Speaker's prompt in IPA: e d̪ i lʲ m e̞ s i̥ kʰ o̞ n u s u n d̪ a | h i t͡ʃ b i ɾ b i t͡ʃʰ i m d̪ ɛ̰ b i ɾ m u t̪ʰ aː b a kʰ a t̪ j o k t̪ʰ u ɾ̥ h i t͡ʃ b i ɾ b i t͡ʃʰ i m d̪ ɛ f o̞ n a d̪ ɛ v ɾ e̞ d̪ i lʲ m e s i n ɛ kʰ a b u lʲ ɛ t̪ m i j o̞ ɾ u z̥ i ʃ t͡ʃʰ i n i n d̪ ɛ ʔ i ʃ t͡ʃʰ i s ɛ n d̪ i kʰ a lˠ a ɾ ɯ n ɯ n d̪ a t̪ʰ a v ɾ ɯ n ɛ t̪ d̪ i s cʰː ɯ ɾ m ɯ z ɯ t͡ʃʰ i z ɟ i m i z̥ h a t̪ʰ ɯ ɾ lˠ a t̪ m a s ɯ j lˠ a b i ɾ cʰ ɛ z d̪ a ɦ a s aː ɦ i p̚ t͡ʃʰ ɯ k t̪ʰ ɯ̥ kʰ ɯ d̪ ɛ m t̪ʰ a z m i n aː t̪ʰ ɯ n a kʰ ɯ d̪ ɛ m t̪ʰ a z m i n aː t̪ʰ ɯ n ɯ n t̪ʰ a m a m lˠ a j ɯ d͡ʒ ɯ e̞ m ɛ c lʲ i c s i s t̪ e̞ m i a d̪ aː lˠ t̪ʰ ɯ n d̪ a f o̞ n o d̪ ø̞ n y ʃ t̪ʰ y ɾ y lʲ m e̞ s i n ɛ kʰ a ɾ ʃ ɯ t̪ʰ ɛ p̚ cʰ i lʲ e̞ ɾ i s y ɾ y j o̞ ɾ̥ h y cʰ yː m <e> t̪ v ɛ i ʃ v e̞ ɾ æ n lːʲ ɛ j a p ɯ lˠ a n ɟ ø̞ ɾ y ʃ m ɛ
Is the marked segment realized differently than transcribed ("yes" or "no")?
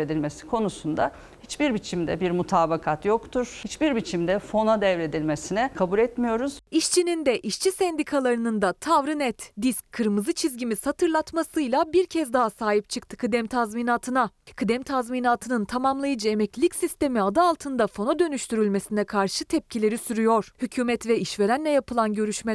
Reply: yes